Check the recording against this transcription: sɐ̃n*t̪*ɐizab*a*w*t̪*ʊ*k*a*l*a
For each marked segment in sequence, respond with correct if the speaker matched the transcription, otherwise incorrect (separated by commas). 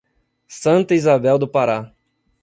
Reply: correct, incorrect, incorrect, incorrect, incorrect